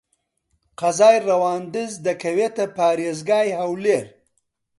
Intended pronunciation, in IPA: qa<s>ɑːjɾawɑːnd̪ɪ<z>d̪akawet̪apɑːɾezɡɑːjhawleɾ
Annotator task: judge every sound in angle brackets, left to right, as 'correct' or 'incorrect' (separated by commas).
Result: incorrect, correct